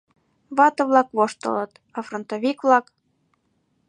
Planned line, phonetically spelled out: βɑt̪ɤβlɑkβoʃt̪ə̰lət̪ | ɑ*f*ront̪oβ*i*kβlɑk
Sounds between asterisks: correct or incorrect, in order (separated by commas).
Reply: correct, correct